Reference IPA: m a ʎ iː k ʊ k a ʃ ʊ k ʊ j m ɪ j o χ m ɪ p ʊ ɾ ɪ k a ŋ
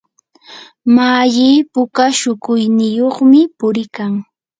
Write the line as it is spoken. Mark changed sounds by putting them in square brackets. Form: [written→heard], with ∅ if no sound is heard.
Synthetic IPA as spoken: m a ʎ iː [k→p] ʊ k a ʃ ʊ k ʊ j [m→n] ɪ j o χ m ɪ p ʊ ɾ ɪ k a ŋ